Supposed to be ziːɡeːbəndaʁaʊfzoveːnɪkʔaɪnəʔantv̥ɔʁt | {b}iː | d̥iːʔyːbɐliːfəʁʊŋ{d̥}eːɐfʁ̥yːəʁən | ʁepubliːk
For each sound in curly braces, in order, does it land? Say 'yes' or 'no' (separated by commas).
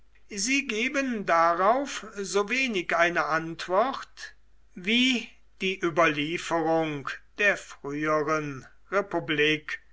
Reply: no, yes